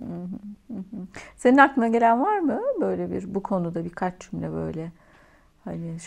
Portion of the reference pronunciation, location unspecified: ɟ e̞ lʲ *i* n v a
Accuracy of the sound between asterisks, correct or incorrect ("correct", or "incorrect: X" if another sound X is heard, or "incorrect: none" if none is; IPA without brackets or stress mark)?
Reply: incorrect: æ